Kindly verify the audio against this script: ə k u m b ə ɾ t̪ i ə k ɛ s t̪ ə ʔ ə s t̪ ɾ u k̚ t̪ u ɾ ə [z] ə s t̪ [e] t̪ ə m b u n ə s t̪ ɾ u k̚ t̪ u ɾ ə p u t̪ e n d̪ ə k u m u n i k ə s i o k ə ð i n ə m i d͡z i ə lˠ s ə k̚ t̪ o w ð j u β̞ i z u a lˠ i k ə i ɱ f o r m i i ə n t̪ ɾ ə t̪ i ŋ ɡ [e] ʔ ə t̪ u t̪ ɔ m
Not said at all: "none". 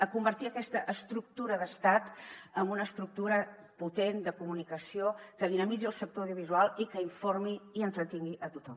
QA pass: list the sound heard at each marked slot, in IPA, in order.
ð, a, i

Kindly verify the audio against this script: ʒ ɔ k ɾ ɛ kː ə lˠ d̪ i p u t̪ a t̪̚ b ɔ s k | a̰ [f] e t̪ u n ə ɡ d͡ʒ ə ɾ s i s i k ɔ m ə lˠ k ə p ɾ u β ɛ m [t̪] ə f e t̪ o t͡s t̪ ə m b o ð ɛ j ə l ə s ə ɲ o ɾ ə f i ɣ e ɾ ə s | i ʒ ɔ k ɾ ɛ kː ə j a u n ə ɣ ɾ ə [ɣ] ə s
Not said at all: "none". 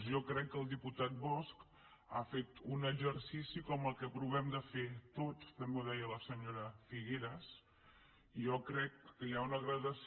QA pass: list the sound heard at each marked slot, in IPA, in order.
f, d̪, ð

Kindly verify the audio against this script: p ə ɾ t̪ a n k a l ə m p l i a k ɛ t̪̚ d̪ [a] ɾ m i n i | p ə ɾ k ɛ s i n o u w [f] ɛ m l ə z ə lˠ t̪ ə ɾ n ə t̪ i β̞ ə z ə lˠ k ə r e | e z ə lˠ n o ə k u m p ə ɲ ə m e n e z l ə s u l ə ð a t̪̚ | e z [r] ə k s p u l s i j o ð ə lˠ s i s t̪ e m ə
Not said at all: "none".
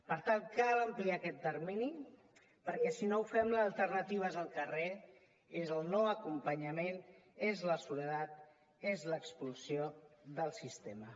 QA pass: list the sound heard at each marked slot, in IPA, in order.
ə, f, l

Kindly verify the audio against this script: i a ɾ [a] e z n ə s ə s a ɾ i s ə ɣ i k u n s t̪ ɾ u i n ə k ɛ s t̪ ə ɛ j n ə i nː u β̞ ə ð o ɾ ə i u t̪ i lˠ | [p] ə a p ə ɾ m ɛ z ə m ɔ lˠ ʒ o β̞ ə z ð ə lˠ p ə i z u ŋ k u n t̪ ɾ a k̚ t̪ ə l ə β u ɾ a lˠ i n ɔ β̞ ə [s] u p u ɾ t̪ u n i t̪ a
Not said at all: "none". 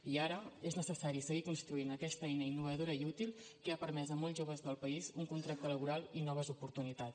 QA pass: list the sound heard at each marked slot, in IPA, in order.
ə, k, z

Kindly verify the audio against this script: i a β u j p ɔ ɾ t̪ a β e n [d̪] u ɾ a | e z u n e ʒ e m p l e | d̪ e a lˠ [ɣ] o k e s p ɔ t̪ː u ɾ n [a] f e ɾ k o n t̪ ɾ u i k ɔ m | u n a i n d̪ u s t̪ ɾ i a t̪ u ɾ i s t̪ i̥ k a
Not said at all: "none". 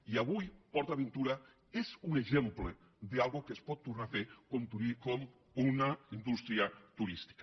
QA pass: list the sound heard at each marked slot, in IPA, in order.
t̪, ɣ, a

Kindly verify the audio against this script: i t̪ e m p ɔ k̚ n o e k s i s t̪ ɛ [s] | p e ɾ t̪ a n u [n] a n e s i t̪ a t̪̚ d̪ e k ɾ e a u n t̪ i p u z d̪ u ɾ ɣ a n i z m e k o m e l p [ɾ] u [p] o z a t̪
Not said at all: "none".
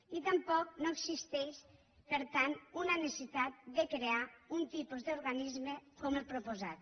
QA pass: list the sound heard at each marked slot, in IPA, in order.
ʃ, n, ɾ, p

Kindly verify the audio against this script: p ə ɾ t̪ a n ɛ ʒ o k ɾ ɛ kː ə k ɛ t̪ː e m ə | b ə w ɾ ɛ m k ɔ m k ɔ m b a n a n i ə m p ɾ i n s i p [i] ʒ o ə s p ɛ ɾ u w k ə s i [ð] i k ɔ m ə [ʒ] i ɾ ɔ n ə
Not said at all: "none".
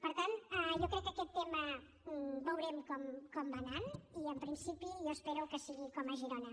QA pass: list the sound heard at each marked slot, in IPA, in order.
i, ɣ, ʒ

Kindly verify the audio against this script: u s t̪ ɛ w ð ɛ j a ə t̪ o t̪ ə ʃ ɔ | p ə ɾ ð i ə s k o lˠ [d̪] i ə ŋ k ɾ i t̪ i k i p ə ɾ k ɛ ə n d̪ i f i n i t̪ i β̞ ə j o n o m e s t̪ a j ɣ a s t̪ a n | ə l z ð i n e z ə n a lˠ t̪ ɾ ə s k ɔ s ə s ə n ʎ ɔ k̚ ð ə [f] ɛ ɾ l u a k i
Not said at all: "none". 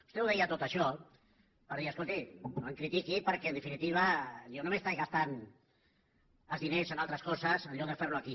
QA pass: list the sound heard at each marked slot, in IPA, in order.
t̪, f

